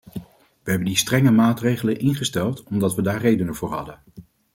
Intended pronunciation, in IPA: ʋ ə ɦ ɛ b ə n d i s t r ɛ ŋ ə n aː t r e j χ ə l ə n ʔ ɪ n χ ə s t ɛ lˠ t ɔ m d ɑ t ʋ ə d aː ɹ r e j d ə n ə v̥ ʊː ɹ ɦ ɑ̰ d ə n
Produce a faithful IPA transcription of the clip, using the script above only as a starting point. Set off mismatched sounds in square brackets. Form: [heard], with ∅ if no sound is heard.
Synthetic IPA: ʋ ə ɦ ɛ b ə n d i s t r ɛ ŋ ə [m] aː t r e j χ ə l ə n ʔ ɪ n χ ə s t ɛ lˠ t ɔ m d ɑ t ʋ ə d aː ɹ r e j d ə n ə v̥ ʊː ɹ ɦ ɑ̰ d ə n